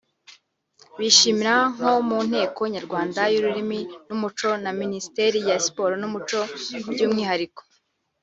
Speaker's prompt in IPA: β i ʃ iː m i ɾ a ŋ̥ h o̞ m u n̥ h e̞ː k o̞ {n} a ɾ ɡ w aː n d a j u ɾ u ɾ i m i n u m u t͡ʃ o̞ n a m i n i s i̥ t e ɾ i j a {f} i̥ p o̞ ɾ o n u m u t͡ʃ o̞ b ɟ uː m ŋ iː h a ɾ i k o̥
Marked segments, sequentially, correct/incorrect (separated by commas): incorrect, incorrect